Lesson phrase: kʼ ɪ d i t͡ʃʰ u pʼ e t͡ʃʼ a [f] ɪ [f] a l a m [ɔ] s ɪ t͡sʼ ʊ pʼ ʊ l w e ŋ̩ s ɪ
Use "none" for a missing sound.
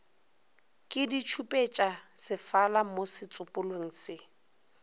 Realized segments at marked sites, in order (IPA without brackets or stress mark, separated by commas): s, f, o